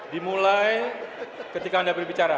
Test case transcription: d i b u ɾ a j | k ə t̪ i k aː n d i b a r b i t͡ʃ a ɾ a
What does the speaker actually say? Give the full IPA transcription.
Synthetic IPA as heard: d i m u l a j | k ə t̪ i k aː n d a b ə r b i t͡ʃ a ɾ a